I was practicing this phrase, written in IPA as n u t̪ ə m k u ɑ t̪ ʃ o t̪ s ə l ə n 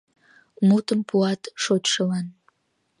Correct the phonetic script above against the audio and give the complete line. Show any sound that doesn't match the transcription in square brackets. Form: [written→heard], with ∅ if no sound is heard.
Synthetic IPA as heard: [n→m] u t̪ ə m [k→p] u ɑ t̪ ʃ o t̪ [s→ʃ] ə l [ə→ɑ] n